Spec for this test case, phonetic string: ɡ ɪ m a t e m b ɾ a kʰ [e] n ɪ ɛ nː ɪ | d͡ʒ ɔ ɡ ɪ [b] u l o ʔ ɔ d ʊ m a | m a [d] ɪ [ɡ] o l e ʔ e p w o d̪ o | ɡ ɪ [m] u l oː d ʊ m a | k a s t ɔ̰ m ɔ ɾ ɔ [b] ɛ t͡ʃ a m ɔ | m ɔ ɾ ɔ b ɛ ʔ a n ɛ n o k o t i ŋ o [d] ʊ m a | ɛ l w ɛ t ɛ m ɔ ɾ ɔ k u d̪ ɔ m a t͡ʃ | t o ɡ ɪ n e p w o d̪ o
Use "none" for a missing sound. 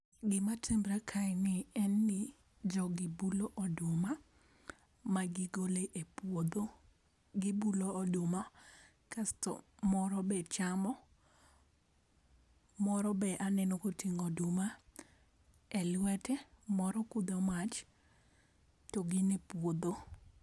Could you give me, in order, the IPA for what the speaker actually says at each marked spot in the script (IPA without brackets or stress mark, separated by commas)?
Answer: a, b, ɡ, ɡ, b, b, d